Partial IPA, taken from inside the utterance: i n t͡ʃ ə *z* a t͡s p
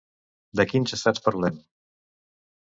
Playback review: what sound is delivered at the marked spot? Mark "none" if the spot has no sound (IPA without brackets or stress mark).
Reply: s